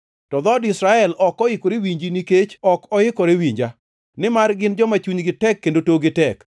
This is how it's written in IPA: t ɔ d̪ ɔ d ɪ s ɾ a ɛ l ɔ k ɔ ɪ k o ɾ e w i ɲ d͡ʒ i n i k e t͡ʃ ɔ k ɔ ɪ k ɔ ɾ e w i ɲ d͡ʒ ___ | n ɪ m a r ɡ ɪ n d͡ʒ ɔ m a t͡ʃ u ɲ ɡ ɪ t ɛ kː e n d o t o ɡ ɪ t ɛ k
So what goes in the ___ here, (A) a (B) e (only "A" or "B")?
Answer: A